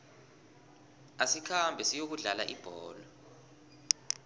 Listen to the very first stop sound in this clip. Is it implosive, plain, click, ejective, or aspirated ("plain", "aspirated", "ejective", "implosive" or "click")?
aspirated